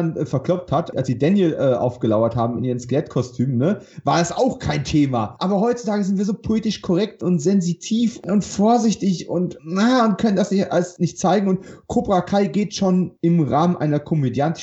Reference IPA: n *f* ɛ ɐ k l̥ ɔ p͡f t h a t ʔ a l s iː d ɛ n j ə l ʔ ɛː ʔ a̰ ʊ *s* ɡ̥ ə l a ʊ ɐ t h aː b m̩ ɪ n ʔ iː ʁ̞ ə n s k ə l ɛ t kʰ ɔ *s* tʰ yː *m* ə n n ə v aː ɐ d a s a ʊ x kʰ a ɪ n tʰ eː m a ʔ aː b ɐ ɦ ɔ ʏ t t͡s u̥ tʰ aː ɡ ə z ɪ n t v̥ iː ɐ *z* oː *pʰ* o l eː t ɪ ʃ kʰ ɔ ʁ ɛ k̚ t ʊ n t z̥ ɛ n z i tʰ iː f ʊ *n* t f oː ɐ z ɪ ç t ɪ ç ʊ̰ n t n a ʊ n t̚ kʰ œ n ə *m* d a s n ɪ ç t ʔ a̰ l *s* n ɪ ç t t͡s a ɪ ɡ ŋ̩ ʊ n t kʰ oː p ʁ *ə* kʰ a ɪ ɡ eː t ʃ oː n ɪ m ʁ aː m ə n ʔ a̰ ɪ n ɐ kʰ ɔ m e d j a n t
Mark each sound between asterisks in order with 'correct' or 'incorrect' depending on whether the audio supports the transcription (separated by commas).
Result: correct, incorrect, correct, correct, correct, correct, correct, incorrect, correct, incorrect